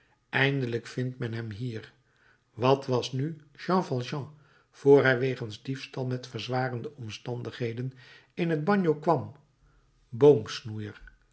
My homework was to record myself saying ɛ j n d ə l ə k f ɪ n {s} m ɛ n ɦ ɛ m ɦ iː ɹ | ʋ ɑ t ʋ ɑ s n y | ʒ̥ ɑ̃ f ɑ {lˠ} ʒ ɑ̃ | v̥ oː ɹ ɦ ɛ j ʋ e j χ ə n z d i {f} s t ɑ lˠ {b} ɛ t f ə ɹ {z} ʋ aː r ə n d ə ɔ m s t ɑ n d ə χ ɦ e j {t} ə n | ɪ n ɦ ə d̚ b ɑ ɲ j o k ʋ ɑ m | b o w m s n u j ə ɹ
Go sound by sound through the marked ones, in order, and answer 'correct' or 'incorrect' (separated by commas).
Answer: incorrect, correct, correct, incorrect, correct, incorrect